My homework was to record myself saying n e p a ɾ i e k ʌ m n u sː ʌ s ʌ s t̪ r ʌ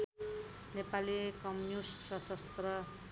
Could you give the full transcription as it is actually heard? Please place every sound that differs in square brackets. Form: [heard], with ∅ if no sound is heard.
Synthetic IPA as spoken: n e p a [l] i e k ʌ m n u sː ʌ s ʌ s t̪ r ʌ